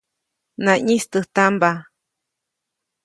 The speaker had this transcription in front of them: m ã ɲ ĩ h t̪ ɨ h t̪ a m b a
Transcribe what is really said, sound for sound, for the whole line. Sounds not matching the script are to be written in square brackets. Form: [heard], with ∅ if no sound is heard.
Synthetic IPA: [n] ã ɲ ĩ [s] t̪ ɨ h t̪ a m b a